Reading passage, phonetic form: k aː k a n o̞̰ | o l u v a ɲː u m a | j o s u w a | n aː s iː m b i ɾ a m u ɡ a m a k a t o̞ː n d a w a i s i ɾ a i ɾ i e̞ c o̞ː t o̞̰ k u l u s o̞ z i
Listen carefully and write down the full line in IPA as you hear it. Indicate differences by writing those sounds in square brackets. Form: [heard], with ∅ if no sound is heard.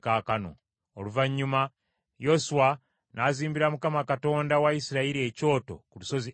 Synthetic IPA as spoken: k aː k a n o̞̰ | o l u v a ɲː u m a | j o s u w a | n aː [z] iː m b i ɾ a m u [k] a m a k a t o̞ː n d a w a i s i ɾ a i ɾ i e̞ c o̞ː t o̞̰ k u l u s o̞ z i